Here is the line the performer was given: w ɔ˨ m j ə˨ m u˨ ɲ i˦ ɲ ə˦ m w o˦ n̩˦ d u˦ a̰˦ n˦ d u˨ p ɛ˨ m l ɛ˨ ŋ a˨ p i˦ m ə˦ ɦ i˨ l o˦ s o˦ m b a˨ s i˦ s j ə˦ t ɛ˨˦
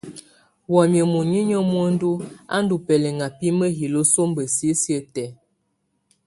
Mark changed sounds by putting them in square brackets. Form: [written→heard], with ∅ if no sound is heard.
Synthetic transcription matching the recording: w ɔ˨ m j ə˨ m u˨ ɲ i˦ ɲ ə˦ m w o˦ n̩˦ d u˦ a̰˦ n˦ d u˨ p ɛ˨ [m→∅] l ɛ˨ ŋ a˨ p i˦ m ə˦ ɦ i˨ l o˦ s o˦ m b [a˨→ə˨] s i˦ s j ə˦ t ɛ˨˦